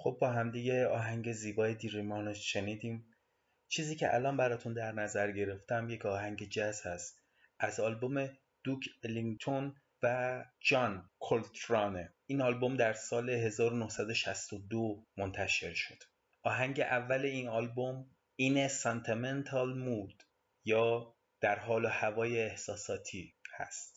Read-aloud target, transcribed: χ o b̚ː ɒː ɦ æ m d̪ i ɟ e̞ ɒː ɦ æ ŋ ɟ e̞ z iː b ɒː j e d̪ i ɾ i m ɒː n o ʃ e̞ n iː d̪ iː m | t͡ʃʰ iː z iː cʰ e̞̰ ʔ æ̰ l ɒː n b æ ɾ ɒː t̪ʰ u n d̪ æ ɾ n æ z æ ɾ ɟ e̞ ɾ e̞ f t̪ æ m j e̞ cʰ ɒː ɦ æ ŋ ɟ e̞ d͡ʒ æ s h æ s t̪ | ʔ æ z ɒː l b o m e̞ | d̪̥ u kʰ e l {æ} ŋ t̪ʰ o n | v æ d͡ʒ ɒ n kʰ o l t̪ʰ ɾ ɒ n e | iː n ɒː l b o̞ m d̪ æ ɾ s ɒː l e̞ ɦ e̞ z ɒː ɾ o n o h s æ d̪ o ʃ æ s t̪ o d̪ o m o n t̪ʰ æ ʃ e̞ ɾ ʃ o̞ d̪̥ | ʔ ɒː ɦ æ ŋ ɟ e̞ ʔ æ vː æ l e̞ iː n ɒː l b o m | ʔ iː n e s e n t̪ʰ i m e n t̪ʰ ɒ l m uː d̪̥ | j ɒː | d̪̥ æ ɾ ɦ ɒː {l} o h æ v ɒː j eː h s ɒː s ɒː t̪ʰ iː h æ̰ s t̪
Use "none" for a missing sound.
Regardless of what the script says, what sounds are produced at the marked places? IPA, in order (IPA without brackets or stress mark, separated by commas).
i, l